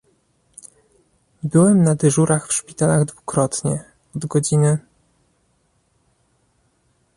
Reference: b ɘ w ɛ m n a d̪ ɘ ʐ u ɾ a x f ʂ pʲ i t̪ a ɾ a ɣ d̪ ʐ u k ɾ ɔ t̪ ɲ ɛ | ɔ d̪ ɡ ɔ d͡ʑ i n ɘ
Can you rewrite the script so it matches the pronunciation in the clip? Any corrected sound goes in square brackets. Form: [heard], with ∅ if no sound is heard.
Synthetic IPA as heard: b ɘ w ɛ m n a d̪ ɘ ʐ u ɾ a x f ʂ pʲ i t̪ a [l] a ɣ d̪ [v] u k ɾ ɔ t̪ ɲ ɛ | ɔ d̪ ɡ ɔ d͡ʑ i n ɘ